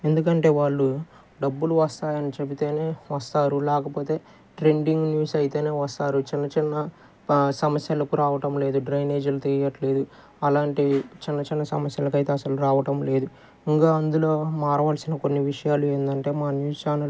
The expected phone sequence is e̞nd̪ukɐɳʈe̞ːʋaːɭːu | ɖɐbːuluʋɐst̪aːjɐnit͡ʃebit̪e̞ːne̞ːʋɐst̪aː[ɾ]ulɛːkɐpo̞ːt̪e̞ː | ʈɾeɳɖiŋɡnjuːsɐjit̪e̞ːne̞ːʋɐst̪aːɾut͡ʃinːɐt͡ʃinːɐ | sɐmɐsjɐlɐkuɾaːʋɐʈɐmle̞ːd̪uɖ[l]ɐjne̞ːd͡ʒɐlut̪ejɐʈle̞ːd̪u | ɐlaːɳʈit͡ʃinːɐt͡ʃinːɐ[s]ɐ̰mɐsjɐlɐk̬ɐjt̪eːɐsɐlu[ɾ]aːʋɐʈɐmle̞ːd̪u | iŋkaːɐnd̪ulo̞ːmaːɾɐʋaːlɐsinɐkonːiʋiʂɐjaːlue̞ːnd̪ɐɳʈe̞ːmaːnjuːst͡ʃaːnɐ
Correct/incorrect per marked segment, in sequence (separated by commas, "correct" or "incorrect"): correct, incorrect, correct, correct